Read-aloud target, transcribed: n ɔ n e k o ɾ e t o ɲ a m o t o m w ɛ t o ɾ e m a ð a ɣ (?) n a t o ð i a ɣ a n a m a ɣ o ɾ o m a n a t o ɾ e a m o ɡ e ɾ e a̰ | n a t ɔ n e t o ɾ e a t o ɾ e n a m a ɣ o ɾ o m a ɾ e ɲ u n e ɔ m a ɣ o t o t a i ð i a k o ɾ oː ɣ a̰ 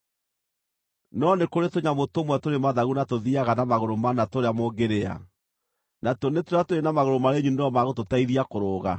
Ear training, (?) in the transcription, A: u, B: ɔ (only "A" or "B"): A